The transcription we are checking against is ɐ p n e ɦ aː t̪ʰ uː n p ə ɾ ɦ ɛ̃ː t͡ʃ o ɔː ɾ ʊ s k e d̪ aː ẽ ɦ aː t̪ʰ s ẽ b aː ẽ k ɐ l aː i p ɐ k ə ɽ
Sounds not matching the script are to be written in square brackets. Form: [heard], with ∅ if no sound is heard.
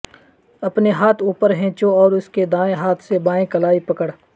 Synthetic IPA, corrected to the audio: ɐ p n e ɦ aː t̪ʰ uː [∅] p ə ɾ ɦ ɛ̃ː t͡ʃ o ɔː ɾ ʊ s k e d̪ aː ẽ ɦ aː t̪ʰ s [e] b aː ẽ k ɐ l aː i p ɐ k ə ɽ

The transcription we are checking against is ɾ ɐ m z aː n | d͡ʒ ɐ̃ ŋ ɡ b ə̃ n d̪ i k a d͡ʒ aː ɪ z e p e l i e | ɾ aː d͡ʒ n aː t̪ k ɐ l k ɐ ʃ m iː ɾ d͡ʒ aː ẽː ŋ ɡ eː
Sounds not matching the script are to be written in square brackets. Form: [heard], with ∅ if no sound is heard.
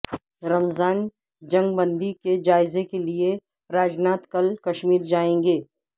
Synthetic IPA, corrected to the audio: ɾ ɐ m z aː n | d͡ʒ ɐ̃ ŋ ɡ b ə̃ n d̪ i k [e] d͡ʒ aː ɪ z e [k] e l i e | ɾ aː d͡ʒ n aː t̪ k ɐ l k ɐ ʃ m iː ɾ d͡ʒ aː ẽː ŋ ɡ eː

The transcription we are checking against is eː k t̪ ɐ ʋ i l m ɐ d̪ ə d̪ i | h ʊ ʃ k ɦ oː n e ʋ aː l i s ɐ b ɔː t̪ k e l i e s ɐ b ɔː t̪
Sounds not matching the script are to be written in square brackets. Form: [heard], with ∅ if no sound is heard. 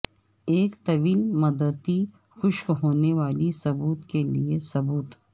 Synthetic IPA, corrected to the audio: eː k t̪ ɐ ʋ [iː] l m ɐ d̪ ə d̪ i | [x] ʊ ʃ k ɦ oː n e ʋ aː l i s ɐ b [uː] t̪ k e l i e s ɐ b [uː] t̪

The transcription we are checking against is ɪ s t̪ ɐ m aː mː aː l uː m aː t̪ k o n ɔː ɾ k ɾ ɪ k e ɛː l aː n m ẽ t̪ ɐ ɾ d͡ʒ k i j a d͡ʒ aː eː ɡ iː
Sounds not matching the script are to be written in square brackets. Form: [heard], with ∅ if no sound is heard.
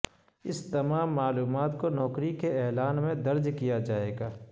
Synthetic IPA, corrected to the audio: ɪ s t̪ ɐ m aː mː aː l uː m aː t̪ k o n ɔː [∅] k ɾ [i] k e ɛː l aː n m ẽ [d̪] ɐ ɾ d͡ʒ k i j a d͡ʒ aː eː ɡ [aː]

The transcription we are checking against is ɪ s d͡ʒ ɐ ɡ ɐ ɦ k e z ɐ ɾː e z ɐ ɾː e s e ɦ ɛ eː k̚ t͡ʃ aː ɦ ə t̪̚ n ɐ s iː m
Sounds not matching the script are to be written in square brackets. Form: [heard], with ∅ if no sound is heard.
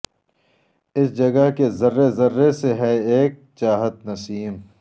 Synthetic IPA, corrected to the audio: ɪ s d͡ʒ ɐ ɡ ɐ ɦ k e z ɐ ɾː e z ɐ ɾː e s e ɦ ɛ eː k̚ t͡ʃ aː ɦ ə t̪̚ n ɐ s iː m

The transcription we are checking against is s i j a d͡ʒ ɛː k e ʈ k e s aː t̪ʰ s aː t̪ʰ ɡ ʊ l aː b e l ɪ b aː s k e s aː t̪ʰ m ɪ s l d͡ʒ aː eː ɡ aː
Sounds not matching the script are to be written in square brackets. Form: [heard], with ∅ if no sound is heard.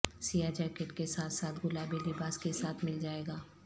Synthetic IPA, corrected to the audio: s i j a d͡ʒ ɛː k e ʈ k e s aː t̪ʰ s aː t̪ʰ ɡ ʊ l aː b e l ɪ b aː s k e s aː t̪ʰ m ɪ [∅] l d͡ʒ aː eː ɡ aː

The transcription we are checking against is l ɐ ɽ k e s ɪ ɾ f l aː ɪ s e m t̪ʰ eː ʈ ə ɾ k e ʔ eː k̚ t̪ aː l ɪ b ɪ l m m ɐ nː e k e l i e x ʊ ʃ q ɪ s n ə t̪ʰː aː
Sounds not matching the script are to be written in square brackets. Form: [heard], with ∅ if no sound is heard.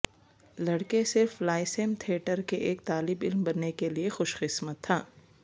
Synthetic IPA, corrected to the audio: l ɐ ɽ k e s ɪ ɾ f l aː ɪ s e m t̪ʰ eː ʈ ə ɾ k e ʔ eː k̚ t̪ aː l ɪ b ɪ l m [b] ɐ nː e k e l i e x ʊ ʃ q ɪ s [m] ə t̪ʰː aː

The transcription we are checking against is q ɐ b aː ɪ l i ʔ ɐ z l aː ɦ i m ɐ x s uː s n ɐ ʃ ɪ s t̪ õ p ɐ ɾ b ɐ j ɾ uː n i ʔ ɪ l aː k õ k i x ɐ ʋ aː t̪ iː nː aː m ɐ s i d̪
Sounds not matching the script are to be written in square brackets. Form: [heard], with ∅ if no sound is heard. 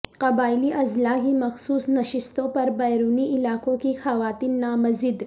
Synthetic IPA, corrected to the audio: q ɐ b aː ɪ l i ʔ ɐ z l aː ɦ i m ɐ x s uː s n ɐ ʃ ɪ s t̪ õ p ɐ ɾ b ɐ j ɾ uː n i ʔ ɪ l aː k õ k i x ɐ ʋ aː t̪ iː nː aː m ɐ [z] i d̪

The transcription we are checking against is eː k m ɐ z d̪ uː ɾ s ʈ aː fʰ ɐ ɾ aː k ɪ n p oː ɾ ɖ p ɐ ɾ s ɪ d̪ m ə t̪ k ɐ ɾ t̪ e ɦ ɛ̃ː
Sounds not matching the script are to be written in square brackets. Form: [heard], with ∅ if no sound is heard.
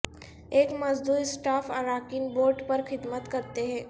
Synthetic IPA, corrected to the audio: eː k m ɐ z d̪ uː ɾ s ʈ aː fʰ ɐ ɾ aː k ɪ n [b] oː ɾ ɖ p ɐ ɾ [x] ɪ d̪ m ə t̪ k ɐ ɾ t̪ e ɦ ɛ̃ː

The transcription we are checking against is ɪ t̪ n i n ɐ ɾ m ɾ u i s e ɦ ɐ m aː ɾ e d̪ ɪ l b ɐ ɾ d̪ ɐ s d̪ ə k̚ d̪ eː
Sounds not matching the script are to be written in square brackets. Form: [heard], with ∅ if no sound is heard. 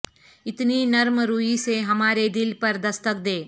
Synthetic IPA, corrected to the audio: ɪ t̪ n i n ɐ ɾ m ɾ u i s e ɦ ɐ m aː ɾ e d̪ ɪ l [p] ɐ ɾ d̪ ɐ s [t̪] ə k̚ d̪ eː

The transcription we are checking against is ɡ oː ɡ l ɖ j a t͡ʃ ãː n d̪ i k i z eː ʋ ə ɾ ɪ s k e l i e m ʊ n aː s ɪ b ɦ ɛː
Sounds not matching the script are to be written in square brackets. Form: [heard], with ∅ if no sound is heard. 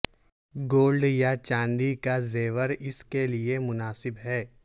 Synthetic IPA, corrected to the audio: ɡ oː [∅] l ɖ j a t͡ʃ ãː n d̪ i k [a] z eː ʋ ə ɾ ɪ s k e l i e m ʊ n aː s ɪ b ɦ ɛː

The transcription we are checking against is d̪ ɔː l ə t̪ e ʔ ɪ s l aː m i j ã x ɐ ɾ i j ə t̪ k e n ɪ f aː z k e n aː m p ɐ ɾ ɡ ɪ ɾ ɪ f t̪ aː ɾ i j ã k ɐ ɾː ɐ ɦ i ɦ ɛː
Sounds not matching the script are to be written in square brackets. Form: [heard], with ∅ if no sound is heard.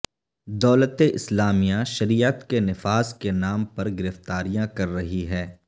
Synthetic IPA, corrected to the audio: d̪ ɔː l ə t̪ e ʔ ɪ s l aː m i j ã [ʃ] ɐ ɾ i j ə t̪ k e n ɪ f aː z k e n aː m p ɐ ɾ ɡ ɪ ɾ ɪ f t̪ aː ɾ i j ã k ɐ ɾː ɐ ɦ i ɦ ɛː

